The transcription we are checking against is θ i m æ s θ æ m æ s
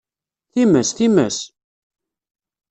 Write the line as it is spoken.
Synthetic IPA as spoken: θ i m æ s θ i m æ s

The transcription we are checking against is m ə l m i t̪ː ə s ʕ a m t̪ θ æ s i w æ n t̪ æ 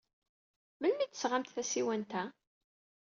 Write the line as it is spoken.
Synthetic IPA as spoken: m ə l m i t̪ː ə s ʁ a m t̪ θ æ s i w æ n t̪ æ

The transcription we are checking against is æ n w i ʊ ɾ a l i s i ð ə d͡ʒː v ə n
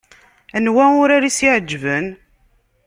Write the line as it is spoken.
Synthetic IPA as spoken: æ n w æ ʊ ɾ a ɾ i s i ʕ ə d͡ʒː v ə n

